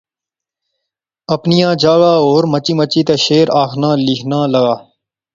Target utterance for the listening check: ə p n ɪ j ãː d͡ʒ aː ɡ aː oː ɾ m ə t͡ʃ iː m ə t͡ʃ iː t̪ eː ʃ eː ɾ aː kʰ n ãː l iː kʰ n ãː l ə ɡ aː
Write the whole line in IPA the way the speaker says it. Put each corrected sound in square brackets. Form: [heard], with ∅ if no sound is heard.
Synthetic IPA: ə p n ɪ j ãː d͡ʒ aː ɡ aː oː ɾ m ə t͡ʃ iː m ə t͡ʃ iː t̪ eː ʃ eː ɾ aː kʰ n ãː l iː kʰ n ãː l ə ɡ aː

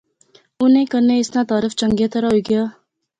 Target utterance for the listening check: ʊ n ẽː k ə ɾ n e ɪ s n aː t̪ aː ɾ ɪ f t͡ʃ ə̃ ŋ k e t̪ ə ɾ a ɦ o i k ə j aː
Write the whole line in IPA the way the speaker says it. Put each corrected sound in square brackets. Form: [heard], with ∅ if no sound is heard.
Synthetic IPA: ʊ n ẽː k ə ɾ n e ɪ s n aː t̪ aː ɾ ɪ f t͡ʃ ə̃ ŋ [ɡ] e t̪ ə ɾ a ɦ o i [ɡ] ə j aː

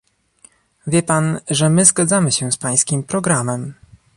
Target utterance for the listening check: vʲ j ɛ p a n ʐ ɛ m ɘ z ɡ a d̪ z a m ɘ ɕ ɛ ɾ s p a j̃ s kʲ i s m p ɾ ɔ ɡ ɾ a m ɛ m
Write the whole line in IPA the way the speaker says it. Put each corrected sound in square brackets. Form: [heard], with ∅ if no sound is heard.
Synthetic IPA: vʲ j ɛ p a n ʐ ɛ m ɘ z ɡ a d̪ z a m ɘ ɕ ɛ [∅] s p a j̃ s kʲ i [∅] m p ɾ ɔ ɡ ɾ a m ɛ m

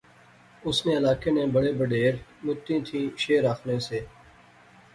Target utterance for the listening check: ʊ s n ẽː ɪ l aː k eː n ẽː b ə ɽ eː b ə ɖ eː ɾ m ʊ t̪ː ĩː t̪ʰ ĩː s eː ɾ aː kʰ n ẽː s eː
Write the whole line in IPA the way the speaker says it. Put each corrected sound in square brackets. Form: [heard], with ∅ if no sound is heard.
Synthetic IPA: ʊ s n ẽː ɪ l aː k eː n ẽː b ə ɽ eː b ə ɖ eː ɾ m ʊ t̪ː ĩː t̪ʰ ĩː [ʃ] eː ɾ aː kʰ n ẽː s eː

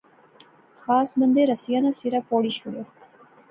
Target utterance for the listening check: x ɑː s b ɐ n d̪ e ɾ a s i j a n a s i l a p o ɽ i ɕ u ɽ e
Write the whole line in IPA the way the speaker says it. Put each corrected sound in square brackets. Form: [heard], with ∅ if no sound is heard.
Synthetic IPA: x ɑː s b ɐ n d̪ e ɾ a s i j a n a s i [ɾ] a p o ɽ i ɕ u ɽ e

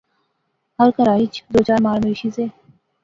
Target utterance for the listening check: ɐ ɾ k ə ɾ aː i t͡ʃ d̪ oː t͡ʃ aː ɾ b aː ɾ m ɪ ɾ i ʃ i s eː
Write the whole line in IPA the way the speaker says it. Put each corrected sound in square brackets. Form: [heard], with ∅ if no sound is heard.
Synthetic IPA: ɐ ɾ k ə ɾ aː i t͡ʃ d̪ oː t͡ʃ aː ɾ [m] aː ɾ m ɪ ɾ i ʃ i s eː

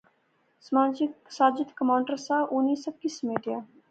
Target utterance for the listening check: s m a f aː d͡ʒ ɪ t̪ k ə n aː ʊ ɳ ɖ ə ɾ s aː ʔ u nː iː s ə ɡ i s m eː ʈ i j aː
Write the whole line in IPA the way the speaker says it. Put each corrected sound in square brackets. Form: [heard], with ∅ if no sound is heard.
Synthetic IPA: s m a [s] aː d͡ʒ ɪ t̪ k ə [m] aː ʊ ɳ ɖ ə ɾ s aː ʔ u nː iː s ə [k] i s m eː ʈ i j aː

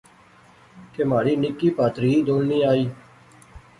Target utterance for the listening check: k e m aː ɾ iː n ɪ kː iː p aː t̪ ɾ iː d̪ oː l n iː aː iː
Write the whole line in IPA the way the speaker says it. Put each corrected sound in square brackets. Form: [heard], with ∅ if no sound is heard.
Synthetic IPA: k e m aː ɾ iː n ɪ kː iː p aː t̪ ɾ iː d̪ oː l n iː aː iː

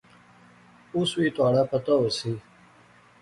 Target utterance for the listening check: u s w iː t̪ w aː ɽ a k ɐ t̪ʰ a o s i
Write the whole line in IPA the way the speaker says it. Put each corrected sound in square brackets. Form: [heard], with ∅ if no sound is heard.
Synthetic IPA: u s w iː t̪ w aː ɽ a [p] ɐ [t̪] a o s i

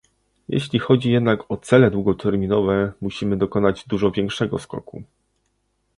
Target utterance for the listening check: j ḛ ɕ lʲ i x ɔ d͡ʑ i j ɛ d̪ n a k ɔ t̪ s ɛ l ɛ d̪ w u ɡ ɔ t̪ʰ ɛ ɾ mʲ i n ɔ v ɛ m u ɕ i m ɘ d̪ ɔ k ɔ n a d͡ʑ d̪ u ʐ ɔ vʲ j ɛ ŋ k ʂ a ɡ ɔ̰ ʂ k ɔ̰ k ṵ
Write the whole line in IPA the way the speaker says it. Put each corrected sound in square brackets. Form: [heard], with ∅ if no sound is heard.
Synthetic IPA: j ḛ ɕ lʲ i x ɔ d͡ʑ i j ɛ d̪ n a k ɔ t̪ s ɛ l ɛ d̪ w u ɡ ɔ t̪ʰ ɛ ɾ mʲ i n ɔ v ɛ m u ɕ i m ɘ d̪ ɔ k ɔ n a d͡ʑ d̪ u ʐ ɔ vʲ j ɛ ŋ k ʂ [ɛ] ɡ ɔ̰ [s] k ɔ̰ k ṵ

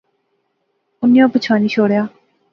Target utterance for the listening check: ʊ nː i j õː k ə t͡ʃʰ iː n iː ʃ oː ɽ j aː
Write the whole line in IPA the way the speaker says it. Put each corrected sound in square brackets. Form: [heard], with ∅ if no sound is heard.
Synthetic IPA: ʊ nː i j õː [p] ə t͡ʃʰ [aː] n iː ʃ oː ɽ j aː

